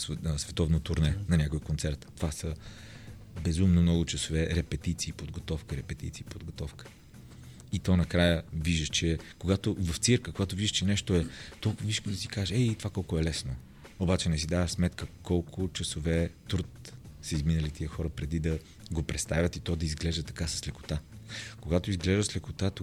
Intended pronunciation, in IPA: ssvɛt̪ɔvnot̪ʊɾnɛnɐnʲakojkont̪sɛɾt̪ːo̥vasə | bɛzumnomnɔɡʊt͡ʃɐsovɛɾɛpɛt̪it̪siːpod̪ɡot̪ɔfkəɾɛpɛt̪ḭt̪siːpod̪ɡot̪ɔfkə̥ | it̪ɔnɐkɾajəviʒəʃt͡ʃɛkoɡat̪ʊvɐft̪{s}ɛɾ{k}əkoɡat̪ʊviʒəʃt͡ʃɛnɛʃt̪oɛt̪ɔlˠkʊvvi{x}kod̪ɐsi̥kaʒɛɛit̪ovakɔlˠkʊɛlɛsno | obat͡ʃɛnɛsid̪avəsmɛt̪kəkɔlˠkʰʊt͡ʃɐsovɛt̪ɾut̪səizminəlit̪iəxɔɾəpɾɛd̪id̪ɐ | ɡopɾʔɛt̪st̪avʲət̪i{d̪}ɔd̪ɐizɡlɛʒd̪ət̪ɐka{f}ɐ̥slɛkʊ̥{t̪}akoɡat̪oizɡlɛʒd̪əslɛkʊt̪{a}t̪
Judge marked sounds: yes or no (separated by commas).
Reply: yes, yes, no, no, no, yes, yes